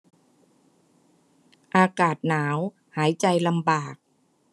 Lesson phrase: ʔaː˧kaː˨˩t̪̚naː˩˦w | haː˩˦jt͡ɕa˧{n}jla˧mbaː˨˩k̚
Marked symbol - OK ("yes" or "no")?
no